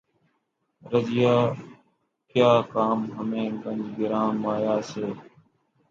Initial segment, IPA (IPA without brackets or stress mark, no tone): ɾ